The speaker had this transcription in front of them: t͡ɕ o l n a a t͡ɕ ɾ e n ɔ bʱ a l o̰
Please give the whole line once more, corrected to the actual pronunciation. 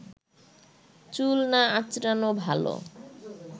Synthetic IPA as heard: t͡ɕ u l n a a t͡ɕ ɾ a n o bʱ a l o̰